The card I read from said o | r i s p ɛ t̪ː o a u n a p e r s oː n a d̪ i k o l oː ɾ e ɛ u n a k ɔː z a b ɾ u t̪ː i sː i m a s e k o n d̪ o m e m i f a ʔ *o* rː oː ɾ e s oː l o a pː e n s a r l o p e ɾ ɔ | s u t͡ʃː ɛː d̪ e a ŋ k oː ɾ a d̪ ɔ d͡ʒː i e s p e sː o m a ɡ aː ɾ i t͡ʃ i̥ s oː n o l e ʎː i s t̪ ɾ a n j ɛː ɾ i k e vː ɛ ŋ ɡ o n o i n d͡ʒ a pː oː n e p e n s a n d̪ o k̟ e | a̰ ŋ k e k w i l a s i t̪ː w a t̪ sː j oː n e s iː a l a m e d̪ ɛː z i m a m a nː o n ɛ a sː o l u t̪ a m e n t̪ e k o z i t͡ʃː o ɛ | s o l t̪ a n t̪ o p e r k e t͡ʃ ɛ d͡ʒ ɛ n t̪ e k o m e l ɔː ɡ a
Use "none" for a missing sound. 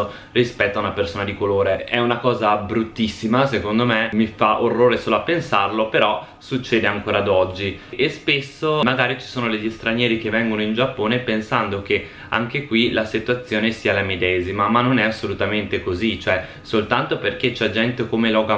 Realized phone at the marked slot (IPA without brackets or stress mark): o